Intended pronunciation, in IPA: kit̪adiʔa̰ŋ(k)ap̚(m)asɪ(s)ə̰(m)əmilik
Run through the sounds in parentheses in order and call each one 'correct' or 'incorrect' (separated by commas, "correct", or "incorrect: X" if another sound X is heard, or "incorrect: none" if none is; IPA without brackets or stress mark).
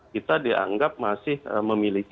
incorrect: ɡ, correct, incorrect: h, correct